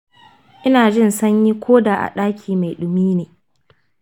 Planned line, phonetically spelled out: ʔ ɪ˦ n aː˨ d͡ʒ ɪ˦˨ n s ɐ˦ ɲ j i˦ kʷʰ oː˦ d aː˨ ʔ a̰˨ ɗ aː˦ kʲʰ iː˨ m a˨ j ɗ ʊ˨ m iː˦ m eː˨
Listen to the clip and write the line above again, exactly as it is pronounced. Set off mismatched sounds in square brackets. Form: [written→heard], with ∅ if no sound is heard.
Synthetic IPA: ʔ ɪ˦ n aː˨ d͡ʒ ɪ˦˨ n s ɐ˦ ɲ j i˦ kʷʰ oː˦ d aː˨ ʔ a̰˨ ɗ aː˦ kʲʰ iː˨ m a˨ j ɗ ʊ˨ m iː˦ [m→n] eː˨